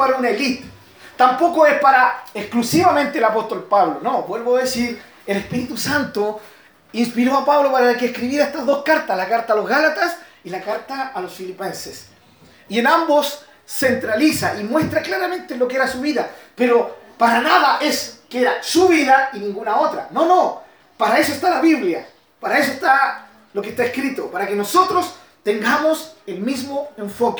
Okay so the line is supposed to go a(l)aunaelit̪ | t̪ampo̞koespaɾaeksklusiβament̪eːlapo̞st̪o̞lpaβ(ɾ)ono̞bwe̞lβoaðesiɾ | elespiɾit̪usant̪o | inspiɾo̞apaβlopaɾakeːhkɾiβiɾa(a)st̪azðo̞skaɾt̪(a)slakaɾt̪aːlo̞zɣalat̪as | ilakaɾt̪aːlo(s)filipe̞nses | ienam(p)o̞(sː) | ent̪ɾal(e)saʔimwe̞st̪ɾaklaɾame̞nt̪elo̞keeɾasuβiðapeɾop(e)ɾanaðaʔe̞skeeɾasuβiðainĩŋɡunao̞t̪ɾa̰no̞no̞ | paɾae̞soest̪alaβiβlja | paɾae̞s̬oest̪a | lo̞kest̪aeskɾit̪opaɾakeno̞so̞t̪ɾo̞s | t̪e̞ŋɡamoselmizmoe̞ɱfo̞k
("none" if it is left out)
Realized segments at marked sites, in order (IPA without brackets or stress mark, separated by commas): ɾ, l, e, a, s, b, sː, i, a